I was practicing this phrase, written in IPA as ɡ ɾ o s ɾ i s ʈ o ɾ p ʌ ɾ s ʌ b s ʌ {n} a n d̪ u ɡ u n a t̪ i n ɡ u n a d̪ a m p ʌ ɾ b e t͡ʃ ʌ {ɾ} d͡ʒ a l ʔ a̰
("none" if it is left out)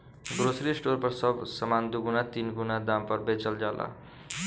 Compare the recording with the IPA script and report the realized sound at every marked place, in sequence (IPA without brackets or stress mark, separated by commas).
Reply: m, l